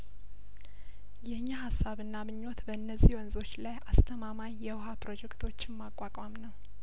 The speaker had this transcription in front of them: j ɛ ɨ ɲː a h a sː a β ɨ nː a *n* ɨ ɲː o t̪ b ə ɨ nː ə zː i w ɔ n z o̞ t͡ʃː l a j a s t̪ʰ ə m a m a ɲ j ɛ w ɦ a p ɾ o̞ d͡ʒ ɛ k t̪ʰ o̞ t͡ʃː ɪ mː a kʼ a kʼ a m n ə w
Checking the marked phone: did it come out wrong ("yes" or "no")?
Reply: yes